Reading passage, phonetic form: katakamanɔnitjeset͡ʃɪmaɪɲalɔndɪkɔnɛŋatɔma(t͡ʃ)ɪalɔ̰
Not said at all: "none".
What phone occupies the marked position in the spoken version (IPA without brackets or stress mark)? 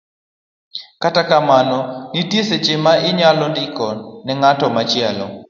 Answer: t͡ʃ